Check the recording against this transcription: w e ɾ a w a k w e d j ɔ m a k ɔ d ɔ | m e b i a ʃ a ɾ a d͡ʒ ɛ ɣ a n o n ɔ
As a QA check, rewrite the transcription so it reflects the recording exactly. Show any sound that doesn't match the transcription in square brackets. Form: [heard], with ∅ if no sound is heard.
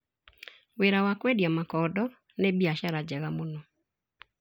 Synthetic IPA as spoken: w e ɾ a w a k w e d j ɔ m a k ɔ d ɔ | [n] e b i a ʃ a ɾ a d͡ʒ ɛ ɣ a [m] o n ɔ